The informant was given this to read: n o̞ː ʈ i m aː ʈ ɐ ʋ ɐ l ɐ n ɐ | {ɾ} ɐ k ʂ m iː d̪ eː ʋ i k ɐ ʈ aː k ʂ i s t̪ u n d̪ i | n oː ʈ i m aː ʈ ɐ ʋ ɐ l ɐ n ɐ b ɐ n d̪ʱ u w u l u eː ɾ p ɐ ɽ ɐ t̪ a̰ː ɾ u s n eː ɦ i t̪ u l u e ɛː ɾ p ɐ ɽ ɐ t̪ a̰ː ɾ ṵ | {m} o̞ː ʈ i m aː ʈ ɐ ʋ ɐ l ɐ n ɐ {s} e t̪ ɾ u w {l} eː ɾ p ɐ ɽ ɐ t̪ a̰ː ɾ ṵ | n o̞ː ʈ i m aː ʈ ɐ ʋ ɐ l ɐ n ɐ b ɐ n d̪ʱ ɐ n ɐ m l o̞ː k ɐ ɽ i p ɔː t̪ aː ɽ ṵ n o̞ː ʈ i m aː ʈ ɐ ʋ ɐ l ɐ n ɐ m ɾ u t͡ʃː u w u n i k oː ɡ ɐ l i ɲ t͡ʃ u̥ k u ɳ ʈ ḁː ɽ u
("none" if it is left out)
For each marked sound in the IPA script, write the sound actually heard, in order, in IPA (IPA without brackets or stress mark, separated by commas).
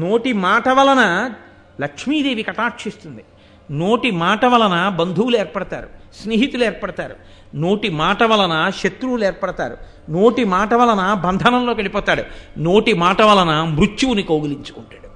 l, n, ʃ, l